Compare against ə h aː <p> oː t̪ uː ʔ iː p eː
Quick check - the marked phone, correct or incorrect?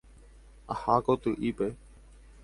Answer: incorrect